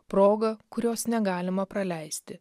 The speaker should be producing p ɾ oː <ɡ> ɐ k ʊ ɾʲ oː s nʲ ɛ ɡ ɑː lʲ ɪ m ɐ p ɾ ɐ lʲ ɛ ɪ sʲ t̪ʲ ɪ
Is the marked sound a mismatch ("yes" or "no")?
no